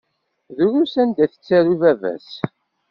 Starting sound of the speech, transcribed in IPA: ð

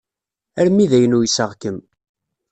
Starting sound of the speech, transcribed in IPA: æ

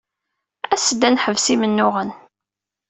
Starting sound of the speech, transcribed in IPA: æ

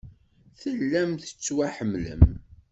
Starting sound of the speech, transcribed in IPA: θ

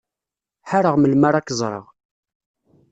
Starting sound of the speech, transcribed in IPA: ħ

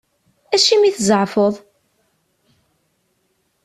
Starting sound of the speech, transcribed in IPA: æ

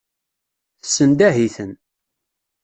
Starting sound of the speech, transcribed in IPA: θ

